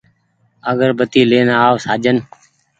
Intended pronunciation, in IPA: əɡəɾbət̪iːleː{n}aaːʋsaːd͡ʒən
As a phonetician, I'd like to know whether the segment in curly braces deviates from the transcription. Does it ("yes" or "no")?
no